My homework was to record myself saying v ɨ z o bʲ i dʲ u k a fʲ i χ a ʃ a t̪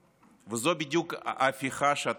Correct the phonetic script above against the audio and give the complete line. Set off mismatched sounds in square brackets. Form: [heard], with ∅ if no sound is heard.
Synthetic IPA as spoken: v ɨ z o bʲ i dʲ u k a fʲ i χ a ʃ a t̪